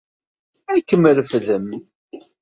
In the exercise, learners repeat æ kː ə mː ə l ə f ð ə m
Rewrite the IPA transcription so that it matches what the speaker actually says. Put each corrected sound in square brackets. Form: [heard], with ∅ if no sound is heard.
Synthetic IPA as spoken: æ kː ə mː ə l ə f ð ə m